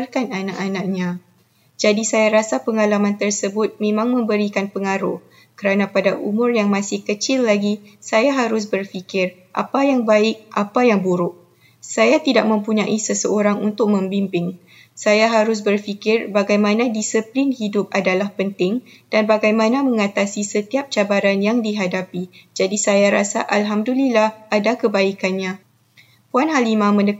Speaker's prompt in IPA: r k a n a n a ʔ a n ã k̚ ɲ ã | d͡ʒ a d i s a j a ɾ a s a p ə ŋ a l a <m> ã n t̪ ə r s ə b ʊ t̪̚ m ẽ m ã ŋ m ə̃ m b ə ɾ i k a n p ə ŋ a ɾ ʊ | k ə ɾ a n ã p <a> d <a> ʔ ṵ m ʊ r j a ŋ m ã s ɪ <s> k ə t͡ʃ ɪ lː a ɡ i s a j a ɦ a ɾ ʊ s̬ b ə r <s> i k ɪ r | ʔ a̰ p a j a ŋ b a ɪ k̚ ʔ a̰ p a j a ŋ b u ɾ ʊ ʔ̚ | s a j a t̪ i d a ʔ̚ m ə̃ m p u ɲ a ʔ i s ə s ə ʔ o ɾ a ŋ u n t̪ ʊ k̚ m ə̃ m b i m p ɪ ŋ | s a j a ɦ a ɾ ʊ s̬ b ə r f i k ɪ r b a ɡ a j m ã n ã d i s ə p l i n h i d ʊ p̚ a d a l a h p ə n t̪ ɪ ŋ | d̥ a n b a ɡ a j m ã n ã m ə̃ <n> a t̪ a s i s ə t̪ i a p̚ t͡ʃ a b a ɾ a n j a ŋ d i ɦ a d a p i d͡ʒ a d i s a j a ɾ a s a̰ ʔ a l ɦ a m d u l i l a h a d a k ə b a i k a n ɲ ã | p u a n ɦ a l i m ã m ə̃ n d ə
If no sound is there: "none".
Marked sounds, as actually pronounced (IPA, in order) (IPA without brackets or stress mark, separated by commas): m, a, a, h, f, ŋ